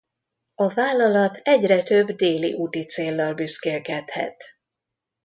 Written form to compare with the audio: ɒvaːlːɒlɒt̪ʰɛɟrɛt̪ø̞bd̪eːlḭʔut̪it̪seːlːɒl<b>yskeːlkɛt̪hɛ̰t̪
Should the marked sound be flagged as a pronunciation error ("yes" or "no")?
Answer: no